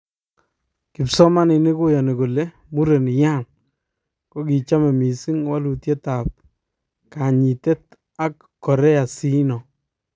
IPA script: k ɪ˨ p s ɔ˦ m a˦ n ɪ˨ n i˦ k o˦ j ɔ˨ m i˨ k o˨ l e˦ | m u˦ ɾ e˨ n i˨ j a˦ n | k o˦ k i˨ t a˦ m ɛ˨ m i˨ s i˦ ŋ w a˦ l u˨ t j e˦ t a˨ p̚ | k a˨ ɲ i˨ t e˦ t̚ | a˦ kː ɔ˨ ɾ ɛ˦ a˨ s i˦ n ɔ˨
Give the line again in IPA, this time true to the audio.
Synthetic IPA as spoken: k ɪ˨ p s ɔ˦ m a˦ n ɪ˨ n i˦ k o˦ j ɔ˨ n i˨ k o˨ l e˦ | m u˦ ɾ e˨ n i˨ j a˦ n | k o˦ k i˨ t͡ʃ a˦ m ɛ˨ m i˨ s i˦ ŋ w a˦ l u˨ t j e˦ t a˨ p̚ | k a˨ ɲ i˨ t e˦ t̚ | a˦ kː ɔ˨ ɾ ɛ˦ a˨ s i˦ n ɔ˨